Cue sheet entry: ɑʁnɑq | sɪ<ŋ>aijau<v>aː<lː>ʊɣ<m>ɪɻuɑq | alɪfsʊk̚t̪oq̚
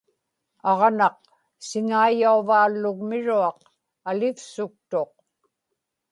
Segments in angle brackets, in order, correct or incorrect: correct, correct, correct, correct

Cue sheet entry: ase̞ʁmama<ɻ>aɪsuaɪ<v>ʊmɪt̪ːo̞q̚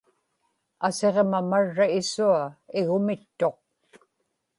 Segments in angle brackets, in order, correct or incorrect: incorrect, incorrect

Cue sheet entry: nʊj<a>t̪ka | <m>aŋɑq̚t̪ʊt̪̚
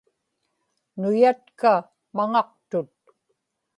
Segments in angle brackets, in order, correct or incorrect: correct, correct

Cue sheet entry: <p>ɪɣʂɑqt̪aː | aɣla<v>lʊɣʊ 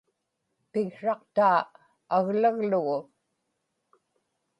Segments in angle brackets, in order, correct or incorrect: correct, incorrect

